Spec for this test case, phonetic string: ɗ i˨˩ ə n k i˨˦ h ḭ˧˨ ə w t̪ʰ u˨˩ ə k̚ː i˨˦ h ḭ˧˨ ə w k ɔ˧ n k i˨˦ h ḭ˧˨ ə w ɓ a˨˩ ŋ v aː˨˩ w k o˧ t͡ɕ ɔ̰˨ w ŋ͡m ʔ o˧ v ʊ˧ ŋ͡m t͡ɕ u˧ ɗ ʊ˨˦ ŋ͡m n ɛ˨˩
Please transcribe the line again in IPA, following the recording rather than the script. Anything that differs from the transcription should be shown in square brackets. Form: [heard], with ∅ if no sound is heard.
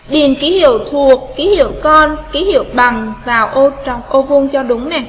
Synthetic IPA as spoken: ɗ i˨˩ ə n k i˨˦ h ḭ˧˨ ə w t̪ʰ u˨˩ ə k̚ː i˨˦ h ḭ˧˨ ə w k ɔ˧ n k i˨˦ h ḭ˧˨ ə w ɓ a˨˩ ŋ v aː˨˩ w [ʔ] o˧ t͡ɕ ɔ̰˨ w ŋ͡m ʔ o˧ v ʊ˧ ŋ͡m t͡ɕ [ɔ˧] ɗ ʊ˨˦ ŋ͡m n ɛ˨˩